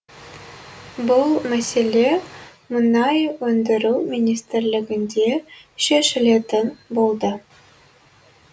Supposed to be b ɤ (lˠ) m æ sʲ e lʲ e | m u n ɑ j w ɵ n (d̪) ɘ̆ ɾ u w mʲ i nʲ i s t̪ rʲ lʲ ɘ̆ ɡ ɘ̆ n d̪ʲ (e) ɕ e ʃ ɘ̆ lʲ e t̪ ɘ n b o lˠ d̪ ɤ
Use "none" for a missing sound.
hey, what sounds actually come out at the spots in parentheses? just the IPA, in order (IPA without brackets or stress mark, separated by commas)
lˠ, d̪, e